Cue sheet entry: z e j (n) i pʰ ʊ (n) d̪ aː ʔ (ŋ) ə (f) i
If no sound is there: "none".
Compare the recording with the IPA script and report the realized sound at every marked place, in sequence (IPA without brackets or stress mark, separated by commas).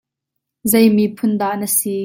m, n, n, s